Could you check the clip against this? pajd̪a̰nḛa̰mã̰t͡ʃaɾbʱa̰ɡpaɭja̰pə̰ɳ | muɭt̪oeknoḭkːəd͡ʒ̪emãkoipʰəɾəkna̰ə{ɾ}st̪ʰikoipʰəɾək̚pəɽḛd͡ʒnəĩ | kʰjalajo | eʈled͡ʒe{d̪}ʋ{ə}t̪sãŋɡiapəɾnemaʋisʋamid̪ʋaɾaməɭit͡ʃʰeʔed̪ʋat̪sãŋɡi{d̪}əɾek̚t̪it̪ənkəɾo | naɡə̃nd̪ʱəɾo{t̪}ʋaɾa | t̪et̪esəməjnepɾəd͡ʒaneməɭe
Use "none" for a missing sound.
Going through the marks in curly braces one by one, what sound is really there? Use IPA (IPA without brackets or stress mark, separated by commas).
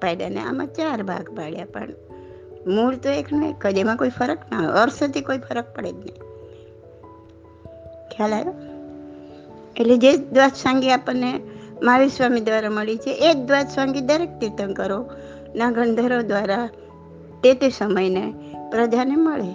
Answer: ɾ, d̪, a, d̪, d̪